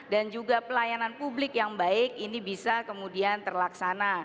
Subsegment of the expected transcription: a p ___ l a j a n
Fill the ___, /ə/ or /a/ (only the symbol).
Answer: ə